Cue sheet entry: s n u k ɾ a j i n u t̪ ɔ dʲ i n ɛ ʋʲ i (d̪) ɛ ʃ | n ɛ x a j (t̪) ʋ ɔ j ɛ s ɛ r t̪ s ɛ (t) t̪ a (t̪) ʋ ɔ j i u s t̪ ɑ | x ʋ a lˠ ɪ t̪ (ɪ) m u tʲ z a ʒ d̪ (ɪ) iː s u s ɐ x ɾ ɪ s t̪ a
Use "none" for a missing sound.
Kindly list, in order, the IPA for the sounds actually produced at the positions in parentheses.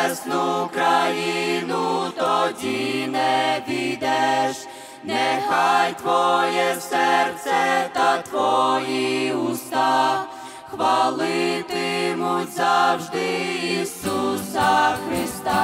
d̪, t̪, t, t̪, ɪ, ɪ

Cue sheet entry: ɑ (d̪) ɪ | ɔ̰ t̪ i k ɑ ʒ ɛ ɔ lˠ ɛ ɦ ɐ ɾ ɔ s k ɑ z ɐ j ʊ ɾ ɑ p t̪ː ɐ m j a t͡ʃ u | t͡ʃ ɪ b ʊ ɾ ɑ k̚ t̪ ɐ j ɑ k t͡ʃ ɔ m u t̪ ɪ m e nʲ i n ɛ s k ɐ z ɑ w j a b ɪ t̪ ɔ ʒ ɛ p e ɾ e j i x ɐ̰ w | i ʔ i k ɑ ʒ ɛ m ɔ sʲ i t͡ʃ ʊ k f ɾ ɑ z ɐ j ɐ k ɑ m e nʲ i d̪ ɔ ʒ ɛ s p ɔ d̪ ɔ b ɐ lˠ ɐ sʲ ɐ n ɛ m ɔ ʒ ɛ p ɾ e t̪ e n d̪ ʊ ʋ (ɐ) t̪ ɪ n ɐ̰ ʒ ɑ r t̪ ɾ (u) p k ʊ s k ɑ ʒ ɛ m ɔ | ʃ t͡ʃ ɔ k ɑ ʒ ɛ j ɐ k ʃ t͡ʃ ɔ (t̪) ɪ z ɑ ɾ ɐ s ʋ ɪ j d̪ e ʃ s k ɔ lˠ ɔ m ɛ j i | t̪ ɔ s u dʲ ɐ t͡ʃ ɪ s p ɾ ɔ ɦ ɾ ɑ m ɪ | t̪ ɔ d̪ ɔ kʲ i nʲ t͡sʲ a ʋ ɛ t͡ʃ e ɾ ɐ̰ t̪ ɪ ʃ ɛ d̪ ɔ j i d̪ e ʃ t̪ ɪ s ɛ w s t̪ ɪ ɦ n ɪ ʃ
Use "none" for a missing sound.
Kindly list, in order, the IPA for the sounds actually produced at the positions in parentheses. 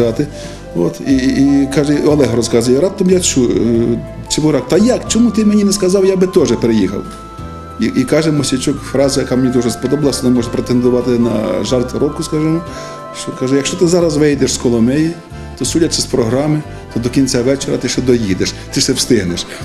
t̪, ɑ, ɔ, t̪

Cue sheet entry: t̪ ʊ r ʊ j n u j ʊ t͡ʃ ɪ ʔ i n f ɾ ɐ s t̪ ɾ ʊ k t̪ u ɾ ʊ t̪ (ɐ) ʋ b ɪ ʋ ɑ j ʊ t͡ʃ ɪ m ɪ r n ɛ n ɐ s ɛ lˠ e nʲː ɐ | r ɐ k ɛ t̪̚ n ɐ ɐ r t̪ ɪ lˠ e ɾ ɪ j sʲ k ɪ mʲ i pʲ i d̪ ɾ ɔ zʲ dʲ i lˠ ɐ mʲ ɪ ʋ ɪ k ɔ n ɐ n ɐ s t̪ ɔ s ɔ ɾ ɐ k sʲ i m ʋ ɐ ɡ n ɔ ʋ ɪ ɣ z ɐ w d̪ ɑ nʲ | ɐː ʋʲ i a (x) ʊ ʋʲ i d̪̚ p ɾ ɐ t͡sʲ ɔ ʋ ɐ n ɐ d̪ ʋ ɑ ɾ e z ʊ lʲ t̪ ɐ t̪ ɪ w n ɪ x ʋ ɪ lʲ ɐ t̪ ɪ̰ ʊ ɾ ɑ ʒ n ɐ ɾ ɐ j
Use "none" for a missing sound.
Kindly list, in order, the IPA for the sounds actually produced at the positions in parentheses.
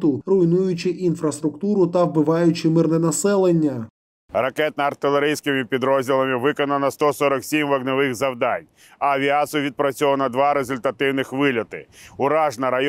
ɐ, s

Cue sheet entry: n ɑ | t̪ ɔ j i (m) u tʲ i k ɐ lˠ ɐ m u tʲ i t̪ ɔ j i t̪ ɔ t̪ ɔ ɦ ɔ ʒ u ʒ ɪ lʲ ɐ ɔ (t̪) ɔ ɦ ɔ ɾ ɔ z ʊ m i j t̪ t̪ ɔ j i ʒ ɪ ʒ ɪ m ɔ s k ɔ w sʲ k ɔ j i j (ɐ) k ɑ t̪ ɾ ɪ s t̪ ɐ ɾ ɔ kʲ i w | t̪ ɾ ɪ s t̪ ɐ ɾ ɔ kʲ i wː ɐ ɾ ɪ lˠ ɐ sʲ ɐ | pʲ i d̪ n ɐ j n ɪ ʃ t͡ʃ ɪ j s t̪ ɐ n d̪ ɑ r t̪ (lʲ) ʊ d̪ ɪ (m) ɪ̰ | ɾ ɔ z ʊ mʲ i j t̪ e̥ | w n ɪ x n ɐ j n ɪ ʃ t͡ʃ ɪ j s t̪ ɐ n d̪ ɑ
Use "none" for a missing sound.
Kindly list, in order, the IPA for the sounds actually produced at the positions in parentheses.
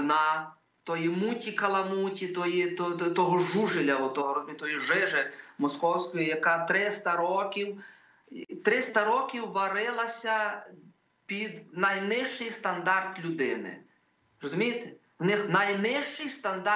m, t̪, ɐ, lʲ, n

